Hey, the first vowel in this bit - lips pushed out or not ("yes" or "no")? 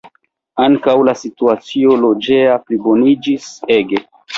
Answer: no